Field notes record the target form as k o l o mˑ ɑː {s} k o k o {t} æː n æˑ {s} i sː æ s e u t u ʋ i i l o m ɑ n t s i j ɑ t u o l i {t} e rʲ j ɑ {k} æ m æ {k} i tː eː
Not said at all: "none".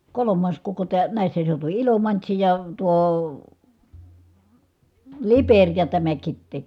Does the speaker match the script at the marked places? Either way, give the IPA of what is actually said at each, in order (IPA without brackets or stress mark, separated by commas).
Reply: s, t, none, p, t, k